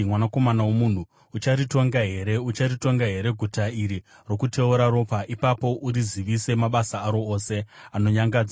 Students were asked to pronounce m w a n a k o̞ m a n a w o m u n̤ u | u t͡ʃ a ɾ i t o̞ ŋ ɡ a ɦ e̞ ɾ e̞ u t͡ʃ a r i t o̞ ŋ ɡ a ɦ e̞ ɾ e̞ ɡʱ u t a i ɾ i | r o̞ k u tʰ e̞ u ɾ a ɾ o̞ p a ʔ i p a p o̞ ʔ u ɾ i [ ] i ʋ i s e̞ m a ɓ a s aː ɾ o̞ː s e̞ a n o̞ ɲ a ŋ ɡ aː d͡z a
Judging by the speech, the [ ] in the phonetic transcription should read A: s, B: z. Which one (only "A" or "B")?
B